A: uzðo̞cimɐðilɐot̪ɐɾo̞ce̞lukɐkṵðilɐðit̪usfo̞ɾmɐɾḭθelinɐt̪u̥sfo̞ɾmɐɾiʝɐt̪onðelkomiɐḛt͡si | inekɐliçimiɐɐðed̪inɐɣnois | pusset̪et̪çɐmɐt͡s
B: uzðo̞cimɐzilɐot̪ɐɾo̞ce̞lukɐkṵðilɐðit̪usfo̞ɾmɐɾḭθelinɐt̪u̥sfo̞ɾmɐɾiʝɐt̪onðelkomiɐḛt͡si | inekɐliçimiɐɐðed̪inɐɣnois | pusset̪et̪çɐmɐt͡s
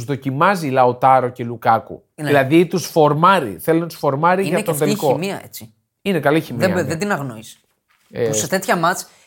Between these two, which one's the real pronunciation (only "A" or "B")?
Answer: B